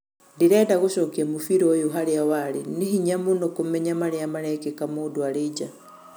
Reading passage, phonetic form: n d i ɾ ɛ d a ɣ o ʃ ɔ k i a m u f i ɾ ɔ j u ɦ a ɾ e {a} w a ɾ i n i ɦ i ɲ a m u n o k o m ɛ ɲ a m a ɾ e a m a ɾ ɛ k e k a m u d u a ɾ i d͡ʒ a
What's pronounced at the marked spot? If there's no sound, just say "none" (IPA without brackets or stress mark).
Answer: a